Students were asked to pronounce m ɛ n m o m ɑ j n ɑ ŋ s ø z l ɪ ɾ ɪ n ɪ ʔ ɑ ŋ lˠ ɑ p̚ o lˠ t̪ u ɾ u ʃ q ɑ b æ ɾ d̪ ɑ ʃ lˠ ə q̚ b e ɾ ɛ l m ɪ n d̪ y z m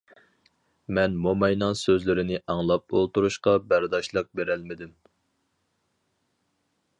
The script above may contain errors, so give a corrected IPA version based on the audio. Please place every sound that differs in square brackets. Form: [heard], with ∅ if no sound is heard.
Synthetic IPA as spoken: m ɛ n m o m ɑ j n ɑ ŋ s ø z l ɪ ɾ ɪ n ɪ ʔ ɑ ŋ lˠ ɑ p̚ o lˠ t̪ u ɾ u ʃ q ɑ b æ ɾ d̪ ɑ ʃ lˠ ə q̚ b e ɾ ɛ l m ɪ [∅] d̪ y [∅] m